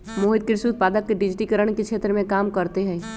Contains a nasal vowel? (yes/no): yes